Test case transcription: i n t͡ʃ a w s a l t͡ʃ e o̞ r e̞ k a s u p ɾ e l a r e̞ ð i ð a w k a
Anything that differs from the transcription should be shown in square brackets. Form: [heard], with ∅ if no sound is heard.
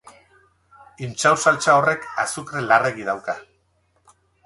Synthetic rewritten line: i n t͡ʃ a w s a l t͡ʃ [a] o̞ r e̞ k a s u [k] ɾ e l a r e̞ [ɣ] i ð a w k a